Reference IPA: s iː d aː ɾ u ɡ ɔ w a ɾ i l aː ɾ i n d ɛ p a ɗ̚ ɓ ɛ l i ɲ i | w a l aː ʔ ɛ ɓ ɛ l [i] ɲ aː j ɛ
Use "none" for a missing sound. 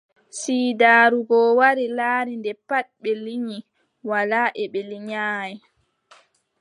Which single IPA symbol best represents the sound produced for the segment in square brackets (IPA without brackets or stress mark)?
i